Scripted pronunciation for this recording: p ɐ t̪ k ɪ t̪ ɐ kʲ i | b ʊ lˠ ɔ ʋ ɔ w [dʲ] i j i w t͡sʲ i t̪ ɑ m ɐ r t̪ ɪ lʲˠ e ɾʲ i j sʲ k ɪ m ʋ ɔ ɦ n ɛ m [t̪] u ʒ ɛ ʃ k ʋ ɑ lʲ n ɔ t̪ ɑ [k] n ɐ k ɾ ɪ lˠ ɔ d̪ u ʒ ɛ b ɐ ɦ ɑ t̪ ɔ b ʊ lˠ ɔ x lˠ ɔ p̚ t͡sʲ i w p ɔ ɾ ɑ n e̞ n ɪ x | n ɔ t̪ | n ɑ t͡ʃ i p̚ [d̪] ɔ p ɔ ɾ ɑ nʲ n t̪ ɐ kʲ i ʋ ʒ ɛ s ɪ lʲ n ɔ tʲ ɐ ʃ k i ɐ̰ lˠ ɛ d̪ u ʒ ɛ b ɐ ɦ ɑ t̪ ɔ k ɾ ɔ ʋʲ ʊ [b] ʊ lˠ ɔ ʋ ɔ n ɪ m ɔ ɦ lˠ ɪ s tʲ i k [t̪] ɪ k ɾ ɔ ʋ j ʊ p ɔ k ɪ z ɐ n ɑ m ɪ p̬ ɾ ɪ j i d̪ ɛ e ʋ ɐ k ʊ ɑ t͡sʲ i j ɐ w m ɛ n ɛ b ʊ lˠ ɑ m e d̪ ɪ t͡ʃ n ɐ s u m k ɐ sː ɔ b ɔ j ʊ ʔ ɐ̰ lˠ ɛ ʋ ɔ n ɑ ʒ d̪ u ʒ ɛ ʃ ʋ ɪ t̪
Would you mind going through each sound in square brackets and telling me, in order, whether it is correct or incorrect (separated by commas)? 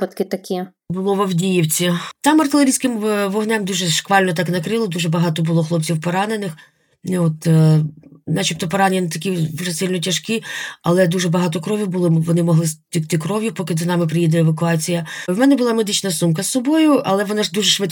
correct, incorrect, correct, incorrect, correct, correct